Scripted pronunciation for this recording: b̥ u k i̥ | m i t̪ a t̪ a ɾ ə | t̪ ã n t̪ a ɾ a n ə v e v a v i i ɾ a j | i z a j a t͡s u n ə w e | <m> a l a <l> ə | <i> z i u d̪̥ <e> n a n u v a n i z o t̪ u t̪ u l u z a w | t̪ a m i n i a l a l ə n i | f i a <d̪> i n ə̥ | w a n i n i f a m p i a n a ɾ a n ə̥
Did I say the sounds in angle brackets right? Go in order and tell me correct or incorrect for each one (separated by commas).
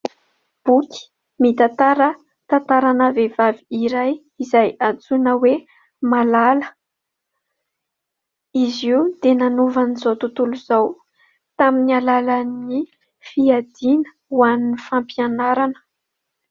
correct, correct, correct, correct, correct